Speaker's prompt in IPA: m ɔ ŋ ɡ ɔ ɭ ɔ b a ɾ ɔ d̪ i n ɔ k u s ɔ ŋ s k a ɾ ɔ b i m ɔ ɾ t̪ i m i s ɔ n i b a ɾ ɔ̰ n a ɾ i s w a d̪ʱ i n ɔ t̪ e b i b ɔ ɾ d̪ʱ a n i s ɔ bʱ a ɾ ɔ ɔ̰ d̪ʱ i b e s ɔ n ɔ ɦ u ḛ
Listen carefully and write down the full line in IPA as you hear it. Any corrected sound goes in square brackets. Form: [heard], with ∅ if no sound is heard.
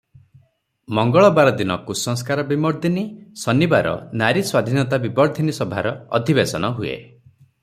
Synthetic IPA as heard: m ɔ ŋ ɡ ɔ ɭ ɔ b a ɾ ɔ d̪ i n ɔ k u s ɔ ŋ s k a ɾ ɔ b i m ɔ ɾ [d̪] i [n] i s ɔ n i b a ɾ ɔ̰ n a ɾ i s w a d̪ʱ i n ɔ t̪ [a] b i b ɔ ɾ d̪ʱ [i] n i s ɔ bʱ a ɾ ɔ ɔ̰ d̪ʱ i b e s ɔ n ɔ ɦ u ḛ